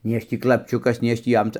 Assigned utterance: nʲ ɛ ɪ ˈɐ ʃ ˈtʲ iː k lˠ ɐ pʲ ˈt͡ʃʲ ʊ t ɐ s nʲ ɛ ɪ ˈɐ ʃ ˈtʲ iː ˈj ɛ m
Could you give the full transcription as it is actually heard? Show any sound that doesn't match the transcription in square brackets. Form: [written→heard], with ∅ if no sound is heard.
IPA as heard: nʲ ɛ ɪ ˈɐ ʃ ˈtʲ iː k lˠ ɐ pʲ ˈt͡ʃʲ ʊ [t→k] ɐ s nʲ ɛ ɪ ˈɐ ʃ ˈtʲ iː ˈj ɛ m